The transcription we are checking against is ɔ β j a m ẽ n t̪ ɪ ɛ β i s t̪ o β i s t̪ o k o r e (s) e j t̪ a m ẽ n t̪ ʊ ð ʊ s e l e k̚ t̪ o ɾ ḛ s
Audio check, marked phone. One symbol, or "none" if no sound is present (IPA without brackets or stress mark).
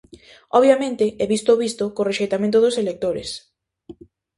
ʃ